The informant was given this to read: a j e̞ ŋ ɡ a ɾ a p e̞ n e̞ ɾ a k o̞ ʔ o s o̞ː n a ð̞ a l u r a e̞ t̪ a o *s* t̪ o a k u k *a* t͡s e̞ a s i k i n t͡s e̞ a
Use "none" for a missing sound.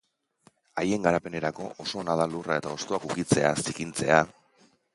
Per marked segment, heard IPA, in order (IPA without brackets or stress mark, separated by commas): s, i